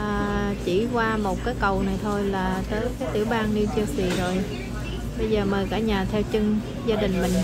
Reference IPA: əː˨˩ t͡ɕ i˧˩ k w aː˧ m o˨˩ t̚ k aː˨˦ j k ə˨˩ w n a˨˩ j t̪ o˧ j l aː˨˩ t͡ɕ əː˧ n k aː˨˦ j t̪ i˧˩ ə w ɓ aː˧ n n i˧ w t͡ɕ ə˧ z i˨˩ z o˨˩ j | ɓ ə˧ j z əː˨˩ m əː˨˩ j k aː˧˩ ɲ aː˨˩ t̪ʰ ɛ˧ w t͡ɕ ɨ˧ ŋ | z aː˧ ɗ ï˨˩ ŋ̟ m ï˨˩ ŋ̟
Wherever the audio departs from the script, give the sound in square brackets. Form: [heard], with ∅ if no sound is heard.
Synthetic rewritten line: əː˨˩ t͡ɕ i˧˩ k w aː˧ m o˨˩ t̚ k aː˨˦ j k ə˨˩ w n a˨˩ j [t̪ʰ] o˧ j l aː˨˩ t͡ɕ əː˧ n k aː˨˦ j t̪ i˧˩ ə w ɓ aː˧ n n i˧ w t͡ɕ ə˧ [s] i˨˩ z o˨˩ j | ɓ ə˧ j z əː˨˩ m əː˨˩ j k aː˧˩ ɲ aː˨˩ t̪ʰ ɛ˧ w t͡ɕ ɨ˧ ŋ | z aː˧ ɗ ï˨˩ ŋ̟ m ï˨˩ ŋ̟